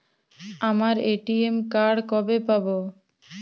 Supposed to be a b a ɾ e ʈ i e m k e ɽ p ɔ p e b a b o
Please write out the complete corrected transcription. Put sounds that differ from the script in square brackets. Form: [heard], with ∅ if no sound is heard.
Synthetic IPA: a [m] a ɾ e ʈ i e m k [a] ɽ [k] ɔ [b] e [p] a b o